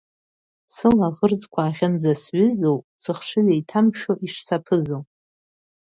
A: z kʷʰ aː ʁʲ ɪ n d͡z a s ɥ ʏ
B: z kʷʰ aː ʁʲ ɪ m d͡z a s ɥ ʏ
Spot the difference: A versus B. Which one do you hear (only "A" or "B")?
A